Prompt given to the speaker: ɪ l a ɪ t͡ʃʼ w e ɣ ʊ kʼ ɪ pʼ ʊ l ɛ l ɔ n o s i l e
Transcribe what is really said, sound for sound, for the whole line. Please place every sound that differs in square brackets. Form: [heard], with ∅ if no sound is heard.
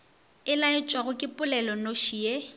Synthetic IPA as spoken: ɪ l a ɪ t͡ʃʼ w [a] ɣ ʊ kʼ ɪ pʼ ʊ l ɛ l ɔ n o [ʃ] i [∅] e